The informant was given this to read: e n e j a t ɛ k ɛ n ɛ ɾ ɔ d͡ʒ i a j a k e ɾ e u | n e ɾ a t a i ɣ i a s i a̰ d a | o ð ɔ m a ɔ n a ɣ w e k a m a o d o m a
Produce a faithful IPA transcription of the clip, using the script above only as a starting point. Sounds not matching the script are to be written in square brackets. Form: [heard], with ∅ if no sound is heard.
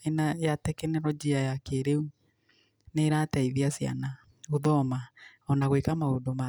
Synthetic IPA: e n [a] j a t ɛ k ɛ n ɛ ɾ ɔ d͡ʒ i a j a k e ɾ e u | n e ɾ a t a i [ð] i a s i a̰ [n] a | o ð ɔ m a ɔ n a ɣ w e k a m a o d o m a